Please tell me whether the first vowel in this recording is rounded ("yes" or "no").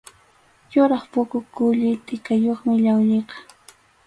yes